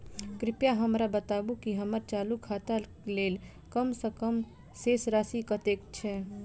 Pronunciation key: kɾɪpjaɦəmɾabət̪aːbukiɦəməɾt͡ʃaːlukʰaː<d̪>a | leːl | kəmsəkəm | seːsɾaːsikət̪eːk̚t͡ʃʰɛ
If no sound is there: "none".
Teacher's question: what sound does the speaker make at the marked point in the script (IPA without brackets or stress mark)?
t̪